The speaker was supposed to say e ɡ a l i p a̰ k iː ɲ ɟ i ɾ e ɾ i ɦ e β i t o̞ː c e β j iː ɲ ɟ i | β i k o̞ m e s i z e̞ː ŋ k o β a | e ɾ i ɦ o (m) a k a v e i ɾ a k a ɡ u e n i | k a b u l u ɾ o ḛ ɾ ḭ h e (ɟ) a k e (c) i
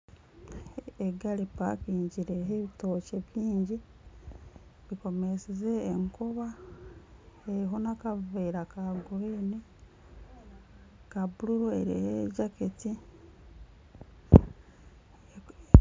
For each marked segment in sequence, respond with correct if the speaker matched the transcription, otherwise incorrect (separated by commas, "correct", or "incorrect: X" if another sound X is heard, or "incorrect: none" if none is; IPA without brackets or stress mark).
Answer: incorrect: n, correct, incorrect: t